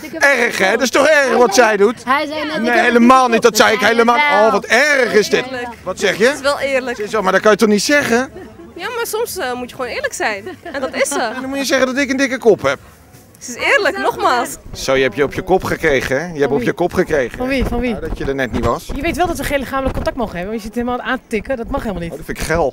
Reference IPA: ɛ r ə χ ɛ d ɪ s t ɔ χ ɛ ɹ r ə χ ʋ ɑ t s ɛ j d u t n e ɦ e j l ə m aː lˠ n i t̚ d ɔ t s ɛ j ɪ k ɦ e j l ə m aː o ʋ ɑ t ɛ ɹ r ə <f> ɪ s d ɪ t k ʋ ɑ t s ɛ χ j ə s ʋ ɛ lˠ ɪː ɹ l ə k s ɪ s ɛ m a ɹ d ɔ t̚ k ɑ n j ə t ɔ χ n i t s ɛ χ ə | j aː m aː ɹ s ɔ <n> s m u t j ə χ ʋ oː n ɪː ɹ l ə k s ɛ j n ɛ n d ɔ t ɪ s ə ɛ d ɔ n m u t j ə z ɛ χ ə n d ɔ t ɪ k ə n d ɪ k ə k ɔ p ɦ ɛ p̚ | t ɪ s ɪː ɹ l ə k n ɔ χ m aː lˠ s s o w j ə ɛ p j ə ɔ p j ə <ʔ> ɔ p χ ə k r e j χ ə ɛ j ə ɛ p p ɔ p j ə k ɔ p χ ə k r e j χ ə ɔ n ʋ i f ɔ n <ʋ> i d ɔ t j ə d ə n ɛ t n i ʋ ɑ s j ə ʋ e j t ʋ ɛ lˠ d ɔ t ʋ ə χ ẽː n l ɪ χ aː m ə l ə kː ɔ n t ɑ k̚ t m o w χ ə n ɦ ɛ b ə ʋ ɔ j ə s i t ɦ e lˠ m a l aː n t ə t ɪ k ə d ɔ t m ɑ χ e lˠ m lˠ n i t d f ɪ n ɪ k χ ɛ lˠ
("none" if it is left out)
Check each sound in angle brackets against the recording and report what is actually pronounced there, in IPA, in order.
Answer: χ, m, k, ʋ

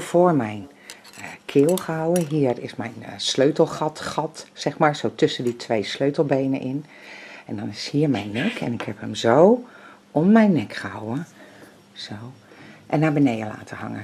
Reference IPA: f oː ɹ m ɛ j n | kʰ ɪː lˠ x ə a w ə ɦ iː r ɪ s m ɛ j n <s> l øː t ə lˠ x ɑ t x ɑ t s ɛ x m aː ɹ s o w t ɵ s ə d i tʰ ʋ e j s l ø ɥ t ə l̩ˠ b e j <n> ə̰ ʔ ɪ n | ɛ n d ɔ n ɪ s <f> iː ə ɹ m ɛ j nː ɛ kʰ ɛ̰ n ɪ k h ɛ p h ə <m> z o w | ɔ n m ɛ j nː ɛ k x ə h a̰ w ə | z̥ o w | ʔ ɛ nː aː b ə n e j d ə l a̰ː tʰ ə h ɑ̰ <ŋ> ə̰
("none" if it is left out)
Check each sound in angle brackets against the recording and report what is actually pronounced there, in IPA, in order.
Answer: s, n, h, m, ŋ

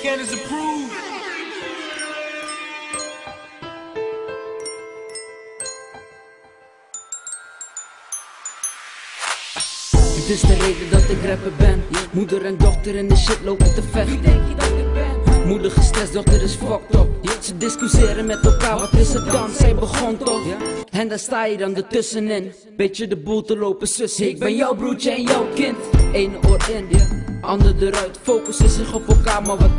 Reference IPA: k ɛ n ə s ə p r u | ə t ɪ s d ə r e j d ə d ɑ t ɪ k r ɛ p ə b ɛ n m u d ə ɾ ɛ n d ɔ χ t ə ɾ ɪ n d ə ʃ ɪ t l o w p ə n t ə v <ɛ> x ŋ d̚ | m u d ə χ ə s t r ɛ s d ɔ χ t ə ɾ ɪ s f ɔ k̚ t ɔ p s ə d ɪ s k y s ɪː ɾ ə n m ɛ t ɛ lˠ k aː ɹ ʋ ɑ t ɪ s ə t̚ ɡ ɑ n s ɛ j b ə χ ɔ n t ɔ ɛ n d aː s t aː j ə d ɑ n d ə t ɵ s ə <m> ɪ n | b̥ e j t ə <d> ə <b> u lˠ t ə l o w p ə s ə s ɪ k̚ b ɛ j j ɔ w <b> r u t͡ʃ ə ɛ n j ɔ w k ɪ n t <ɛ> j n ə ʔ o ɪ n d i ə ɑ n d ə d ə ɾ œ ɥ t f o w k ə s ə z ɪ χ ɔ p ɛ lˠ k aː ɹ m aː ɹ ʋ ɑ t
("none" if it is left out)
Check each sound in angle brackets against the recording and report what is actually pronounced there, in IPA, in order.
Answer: ɛ, n, d, b, b, e

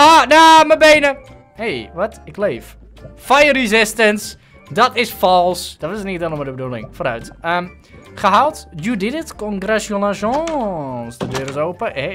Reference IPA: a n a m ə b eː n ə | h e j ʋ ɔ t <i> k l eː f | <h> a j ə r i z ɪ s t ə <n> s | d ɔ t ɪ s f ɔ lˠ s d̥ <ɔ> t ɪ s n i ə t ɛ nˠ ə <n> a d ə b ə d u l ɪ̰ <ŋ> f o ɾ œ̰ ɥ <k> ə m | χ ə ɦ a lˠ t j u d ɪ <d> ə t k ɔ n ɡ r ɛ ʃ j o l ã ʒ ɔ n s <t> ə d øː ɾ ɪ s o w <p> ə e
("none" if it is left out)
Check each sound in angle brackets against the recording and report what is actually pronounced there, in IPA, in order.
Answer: ɪ, f, n, ɔ, m, ŋ, t, d, d, p

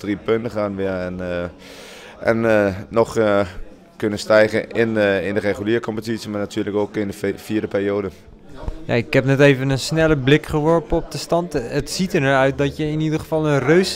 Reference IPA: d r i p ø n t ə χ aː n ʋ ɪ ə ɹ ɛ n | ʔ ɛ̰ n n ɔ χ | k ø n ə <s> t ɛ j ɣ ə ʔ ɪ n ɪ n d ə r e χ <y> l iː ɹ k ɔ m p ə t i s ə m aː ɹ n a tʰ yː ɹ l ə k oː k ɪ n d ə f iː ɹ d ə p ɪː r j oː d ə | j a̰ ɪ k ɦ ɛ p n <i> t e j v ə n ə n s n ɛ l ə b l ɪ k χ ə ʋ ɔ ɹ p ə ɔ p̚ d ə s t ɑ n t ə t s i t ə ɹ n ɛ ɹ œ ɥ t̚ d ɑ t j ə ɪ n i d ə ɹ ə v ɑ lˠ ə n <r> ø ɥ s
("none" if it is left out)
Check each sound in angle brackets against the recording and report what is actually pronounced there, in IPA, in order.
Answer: s, y, ɛ, r

